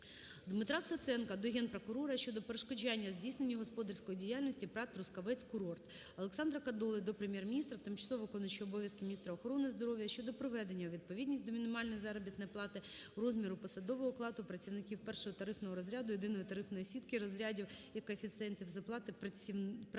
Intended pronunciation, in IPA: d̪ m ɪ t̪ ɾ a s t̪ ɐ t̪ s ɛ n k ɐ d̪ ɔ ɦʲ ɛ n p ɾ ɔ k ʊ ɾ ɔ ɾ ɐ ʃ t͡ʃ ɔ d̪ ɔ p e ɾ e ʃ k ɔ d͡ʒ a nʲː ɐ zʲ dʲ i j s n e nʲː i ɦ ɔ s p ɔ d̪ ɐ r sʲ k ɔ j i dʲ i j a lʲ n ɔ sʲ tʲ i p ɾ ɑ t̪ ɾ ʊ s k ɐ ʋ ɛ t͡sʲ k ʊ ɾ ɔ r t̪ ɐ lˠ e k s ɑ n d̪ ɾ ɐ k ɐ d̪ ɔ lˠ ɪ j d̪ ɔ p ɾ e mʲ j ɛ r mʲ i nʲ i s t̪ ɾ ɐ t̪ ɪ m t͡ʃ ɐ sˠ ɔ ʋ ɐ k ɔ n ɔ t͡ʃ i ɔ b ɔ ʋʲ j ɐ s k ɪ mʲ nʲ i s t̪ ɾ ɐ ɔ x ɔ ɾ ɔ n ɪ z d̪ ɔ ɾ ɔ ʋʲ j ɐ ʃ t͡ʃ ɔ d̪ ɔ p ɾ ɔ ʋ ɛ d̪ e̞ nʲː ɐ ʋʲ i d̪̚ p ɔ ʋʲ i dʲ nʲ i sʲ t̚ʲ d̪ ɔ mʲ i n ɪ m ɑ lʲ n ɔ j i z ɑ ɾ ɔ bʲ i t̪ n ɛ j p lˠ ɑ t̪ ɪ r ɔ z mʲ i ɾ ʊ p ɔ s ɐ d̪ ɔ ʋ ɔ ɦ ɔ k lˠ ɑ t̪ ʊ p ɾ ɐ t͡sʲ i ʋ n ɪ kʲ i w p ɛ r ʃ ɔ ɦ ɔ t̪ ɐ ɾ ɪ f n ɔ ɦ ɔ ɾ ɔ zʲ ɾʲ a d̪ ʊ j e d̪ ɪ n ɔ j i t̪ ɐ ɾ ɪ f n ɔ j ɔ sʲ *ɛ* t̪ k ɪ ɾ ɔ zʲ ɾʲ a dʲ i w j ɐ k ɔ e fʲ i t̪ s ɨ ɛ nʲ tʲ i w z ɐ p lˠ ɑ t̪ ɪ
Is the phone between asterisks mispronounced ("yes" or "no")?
yes